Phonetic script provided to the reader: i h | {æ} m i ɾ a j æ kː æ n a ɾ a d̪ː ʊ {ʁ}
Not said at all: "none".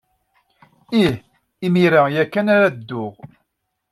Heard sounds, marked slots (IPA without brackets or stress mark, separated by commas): i, ʁ